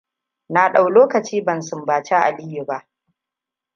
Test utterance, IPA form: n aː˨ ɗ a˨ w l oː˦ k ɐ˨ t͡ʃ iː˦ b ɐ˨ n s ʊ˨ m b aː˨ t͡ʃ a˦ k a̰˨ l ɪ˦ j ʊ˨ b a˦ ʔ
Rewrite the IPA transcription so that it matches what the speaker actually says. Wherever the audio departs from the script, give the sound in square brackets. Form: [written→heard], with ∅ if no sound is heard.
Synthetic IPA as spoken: n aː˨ ɗ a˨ w l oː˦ k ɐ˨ t͡ʃ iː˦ b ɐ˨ n s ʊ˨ m b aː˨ t͡ʃ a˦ [k→ʔ] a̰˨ l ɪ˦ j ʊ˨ b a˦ ʔ